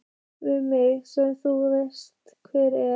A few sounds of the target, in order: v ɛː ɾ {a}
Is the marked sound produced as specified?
no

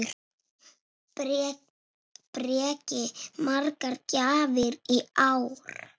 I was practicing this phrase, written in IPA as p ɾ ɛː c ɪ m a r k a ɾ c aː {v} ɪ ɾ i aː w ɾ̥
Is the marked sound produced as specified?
yes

